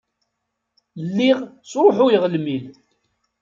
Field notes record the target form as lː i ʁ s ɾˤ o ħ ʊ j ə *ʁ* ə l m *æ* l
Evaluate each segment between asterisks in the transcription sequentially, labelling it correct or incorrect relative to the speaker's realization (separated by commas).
correct, incorrect